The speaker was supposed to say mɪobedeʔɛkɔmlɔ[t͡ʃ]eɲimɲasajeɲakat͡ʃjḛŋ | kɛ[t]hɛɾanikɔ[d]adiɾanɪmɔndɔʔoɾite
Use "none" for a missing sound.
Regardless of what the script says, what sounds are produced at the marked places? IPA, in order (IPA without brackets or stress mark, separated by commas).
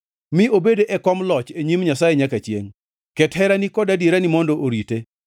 t͡ʃ, t, d